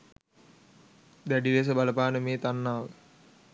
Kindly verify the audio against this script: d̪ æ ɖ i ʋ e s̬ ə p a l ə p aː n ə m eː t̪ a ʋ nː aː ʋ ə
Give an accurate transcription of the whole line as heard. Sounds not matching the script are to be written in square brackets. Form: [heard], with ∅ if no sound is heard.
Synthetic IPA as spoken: d̪ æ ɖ i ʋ e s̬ ə [b] a l ə p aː n ə m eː t̪ a [∅] nː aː ʋ ə